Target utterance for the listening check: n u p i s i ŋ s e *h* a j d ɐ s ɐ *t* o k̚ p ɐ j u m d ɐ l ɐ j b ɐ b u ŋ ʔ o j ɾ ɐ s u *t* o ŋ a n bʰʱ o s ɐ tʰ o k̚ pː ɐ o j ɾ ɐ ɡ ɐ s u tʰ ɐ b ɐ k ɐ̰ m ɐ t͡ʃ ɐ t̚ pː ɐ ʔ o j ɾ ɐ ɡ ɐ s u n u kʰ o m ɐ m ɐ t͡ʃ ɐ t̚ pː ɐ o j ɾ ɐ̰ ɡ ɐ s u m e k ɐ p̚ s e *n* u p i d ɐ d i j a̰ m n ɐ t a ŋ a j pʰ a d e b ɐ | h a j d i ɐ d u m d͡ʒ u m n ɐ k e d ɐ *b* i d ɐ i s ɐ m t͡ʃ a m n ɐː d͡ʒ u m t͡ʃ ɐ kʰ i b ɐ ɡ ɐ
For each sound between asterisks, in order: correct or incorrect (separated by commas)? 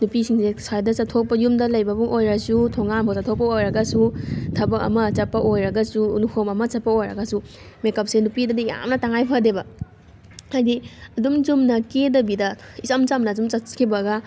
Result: incorrect, incorrect, incorrect, correct, correct